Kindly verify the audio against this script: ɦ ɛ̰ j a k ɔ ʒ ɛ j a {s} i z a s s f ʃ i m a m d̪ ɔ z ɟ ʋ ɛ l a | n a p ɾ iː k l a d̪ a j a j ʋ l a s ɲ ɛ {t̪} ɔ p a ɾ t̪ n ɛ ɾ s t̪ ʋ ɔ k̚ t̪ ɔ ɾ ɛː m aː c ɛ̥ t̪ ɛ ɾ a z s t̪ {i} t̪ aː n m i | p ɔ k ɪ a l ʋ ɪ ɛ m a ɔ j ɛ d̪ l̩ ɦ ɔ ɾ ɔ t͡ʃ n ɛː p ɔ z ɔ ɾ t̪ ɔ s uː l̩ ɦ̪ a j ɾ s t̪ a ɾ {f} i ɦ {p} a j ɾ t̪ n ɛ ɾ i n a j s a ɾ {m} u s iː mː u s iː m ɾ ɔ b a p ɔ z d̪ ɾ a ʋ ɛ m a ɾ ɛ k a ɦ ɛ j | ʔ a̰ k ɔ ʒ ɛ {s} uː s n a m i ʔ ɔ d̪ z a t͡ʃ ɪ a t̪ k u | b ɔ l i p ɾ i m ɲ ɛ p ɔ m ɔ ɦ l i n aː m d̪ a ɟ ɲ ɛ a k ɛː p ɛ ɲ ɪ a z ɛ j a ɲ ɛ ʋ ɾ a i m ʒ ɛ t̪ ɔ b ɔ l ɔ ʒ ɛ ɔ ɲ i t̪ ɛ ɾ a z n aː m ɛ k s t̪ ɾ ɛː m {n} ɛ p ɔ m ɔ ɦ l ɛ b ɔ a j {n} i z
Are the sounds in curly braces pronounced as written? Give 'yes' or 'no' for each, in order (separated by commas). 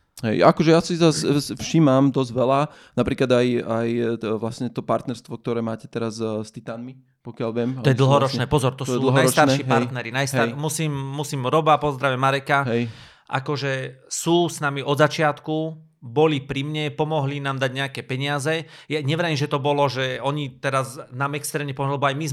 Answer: yes, yes, yes, no, yes, yes, yes, no, no